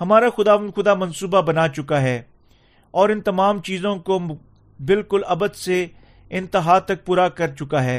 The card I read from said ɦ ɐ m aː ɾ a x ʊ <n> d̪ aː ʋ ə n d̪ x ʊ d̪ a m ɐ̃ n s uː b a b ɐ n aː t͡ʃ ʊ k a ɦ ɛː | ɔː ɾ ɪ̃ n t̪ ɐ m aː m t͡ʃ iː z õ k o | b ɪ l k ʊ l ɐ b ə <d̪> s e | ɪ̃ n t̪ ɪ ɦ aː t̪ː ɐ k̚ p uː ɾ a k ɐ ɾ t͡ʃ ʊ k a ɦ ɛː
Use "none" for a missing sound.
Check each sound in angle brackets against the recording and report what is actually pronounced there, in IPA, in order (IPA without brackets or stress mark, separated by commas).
none, d̪